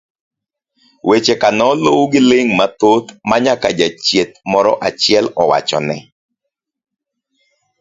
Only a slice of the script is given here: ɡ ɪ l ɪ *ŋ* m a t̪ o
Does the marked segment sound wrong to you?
no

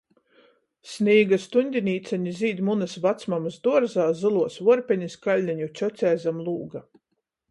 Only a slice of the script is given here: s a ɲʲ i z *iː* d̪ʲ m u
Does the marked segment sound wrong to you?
no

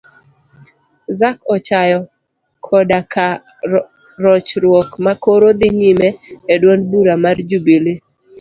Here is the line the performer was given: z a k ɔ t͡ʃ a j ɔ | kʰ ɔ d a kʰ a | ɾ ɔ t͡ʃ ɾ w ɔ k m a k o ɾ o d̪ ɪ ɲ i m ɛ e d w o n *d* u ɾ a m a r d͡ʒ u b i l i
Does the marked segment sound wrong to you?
yes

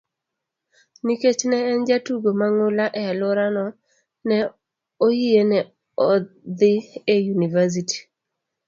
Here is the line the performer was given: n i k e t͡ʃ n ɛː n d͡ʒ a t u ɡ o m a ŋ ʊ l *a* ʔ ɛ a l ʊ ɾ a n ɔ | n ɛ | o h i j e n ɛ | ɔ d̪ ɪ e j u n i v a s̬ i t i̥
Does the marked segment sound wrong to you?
no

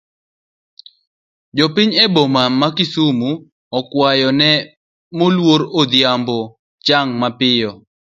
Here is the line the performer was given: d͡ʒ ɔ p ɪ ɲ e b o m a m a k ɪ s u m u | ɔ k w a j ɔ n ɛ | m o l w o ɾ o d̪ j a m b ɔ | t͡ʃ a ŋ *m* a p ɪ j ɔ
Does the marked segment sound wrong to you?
no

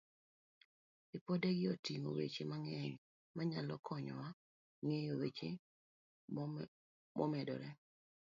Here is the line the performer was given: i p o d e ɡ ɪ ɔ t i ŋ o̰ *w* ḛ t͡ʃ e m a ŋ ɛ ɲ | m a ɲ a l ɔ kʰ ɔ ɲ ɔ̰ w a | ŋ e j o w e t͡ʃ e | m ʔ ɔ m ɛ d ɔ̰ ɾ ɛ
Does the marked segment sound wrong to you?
no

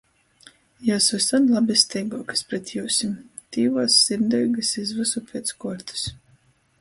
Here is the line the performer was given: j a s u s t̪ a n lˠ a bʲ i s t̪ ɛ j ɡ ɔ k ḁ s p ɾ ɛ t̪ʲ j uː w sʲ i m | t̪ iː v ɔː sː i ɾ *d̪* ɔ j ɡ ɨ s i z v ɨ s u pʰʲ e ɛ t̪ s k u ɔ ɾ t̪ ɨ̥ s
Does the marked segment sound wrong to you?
no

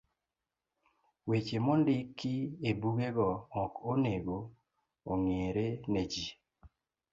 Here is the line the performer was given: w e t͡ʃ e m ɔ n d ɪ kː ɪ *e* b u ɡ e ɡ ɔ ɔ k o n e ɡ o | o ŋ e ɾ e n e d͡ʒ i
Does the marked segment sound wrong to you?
no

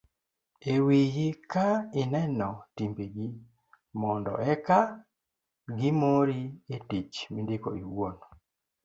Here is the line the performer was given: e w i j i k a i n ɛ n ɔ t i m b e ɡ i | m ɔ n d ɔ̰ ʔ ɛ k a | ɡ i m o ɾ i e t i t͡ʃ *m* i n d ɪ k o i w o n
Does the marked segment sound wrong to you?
no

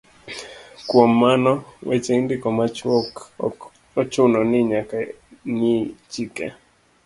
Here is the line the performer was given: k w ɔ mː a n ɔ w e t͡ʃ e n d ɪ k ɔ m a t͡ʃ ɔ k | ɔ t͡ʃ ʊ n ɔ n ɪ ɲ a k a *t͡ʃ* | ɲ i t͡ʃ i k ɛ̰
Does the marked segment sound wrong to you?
yes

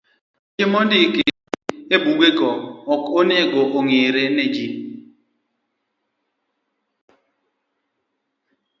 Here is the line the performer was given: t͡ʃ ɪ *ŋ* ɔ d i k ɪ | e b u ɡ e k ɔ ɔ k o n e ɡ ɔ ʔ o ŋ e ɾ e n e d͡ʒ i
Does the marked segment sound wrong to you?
yes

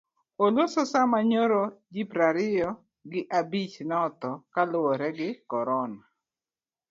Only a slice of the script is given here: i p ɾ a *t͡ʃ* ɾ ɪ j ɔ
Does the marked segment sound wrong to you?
yes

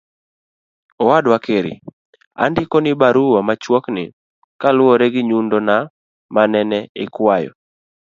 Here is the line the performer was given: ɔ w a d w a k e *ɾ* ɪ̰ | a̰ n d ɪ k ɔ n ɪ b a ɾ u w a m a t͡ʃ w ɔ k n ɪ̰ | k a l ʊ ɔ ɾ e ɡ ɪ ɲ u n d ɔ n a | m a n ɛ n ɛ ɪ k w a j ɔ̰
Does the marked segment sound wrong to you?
no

